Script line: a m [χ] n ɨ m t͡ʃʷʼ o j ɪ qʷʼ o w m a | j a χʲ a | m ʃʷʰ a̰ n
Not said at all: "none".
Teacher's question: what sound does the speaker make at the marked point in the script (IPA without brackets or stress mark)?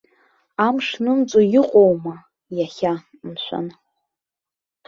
ʂ